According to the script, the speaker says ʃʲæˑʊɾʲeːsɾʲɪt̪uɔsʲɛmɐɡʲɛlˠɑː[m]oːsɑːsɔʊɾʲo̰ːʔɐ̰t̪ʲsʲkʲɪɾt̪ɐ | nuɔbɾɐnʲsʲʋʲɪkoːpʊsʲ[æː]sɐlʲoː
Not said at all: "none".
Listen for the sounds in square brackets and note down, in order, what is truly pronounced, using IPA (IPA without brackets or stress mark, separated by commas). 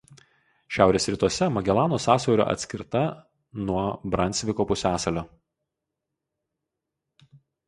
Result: n, æː